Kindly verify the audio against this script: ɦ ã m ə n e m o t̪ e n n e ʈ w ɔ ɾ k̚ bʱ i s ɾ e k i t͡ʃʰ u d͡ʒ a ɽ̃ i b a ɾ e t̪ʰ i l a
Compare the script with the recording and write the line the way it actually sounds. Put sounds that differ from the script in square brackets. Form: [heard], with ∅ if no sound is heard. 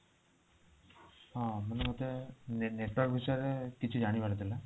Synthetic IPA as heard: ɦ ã m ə n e m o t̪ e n n e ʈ w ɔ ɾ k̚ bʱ i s ɾ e k i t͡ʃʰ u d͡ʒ a ɽ̃ i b a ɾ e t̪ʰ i l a

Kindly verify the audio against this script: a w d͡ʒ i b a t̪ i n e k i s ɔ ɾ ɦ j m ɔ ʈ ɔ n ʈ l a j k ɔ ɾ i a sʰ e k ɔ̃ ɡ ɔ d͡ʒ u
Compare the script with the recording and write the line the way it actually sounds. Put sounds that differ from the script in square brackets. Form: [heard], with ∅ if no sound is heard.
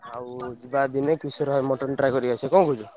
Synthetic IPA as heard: a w d͡ʒ i b a [d̪] i n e k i s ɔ ɾ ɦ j m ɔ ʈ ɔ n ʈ [ɾ] a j k ɔ ɾ i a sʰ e k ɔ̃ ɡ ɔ d͡ʒ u

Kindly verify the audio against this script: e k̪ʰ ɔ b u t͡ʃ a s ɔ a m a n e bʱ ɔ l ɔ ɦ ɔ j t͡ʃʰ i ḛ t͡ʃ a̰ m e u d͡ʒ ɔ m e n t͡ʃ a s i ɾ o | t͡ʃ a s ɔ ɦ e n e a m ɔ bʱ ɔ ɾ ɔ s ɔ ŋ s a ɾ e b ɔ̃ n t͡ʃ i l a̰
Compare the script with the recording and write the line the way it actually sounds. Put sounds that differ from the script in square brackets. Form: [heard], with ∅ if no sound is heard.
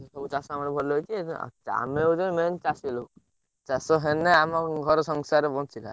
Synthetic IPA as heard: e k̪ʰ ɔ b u t͡ʃ a s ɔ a m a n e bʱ ɔ l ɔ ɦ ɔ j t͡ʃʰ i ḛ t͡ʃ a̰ m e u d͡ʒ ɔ m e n t͡ʃ a s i [l] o | t͡ʃ a s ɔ ɦ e n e a m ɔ [ɡʱ] ɔ ɾ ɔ s ɔ ŋ s a ɾ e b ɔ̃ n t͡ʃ i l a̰

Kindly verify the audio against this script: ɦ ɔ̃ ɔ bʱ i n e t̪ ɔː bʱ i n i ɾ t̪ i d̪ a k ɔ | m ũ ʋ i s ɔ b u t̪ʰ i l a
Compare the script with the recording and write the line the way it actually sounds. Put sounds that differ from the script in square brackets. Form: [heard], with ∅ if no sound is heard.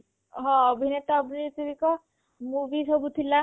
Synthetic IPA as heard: ɦ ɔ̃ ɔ bʱ i n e t̪ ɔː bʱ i n i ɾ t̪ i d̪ [i] k ɔ | m [u] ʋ i s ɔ b u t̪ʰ i l a

